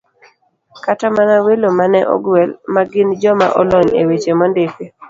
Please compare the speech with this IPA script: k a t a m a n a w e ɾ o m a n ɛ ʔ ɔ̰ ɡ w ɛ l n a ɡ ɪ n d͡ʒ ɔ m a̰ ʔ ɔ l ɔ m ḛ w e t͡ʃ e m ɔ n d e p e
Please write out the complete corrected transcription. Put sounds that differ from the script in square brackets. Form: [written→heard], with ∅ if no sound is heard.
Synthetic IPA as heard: k a t a m a n a w e [ɾ→l] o m a n ɛ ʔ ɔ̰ ɡ w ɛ l [n→m] a ɡ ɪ n d͡ʒ ɔ m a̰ ʔ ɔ l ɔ [m→ɲ] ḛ w e t͡ʃ e m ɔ n d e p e